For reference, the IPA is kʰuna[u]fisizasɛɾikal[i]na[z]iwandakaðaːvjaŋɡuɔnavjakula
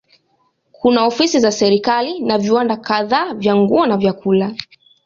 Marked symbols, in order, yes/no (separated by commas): no, yes, no